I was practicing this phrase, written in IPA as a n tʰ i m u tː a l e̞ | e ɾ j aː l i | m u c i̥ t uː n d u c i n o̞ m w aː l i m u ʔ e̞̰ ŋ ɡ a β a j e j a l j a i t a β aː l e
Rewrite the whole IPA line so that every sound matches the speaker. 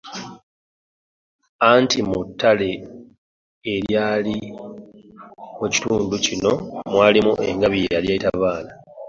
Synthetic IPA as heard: a n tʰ i m u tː a l e̞ | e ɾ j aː l i | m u c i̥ t uː n d u c i n o̞ m w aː l i m u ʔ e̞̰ ŋ ɡ a β i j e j a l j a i t a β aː l a